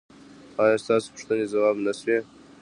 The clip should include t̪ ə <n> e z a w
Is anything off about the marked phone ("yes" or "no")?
no